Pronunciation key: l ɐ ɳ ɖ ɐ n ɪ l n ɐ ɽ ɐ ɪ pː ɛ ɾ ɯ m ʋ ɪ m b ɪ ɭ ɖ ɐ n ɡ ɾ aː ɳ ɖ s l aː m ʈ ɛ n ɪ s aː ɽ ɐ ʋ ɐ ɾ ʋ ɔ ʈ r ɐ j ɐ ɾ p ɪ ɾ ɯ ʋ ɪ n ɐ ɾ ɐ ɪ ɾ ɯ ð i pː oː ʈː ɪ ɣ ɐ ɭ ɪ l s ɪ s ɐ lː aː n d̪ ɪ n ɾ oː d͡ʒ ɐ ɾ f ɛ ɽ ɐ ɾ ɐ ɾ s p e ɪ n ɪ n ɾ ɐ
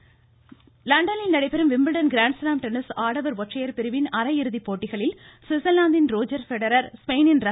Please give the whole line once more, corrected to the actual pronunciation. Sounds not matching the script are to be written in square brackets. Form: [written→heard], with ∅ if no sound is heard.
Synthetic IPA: l ɐ ɳ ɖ ɐ n ɪ l n ɐ ɽ ɐ ɪ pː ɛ ɾ ɯ m ʋ ɪ m b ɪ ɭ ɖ ɐ n ɡ ɾ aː ɳ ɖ s l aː m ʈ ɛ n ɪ s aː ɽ ɐ ʋ ɐ ɾ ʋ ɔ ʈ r ɐ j ɐ ɾ p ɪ ɾ ɯ ʋ ɪ n ɐ ɾ ɐ ɪ ɾ ɯ ð i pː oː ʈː ɪ ɣ ɐ ɭ ɪ l s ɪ s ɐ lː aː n d̪ ɪ n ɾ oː d͡ʒ ɐ ɾ f ɛ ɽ ɐ ɾ ɐ ɾ s p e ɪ n ɪ n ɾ ɐ